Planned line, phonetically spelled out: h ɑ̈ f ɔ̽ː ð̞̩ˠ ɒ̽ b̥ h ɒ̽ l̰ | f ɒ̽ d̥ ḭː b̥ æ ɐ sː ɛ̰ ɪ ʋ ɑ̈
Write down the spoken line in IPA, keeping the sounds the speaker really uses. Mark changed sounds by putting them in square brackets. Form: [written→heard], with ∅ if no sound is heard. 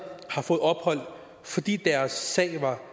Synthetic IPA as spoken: h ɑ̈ f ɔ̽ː ð̞̩ˠ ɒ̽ b̥ h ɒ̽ l̰ | f ɒ̽ d̥ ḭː [b̥→d̥] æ ɐ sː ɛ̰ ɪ ʋ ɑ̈